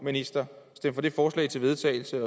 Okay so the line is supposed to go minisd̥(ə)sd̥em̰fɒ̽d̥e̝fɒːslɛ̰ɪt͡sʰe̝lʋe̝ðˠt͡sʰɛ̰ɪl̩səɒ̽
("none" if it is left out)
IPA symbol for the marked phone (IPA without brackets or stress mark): ɐ